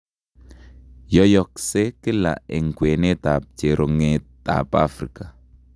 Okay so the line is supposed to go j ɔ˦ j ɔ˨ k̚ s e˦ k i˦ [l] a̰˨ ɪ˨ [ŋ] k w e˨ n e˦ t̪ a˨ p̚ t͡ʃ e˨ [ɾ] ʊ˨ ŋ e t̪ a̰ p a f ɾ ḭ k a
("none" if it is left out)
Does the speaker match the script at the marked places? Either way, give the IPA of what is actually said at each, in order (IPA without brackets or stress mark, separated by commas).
l, ŋ, ɾ